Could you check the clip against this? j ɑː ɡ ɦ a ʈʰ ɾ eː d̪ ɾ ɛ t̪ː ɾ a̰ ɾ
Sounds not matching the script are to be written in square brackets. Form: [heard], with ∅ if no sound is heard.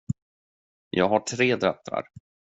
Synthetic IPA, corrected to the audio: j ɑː ɡ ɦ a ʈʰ ɾ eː d̪ ɾ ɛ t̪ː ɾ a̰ ɾ